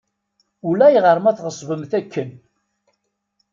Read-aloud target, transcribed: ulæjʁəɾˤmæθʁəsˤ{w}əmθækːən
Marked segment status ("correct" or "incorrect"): incorrect